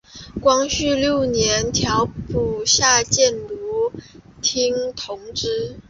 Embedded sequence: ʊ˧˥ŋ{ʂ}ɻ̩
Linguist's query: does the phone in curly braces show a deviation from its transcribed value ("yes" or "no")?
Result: yes